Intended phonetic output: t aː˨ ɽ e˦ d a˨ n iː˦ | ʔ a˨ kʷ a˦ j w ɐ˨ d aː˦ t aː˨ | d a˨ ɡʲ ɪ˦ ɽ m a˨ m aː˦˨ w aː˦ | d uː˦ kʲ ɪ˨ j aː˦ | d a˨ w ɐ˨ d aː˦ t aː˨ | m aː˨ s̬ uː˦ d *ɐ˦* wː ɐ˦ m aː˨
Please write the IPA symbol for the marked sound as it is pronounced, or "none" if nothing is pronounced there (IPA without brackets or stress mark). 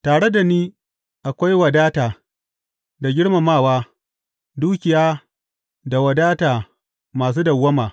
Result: ɐ˨